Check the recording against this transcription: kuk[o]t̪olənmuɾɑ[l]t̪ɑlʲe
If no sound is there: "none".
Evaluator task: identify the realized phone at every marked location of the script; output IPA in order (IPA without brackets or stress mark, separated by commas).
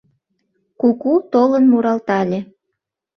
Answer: u, l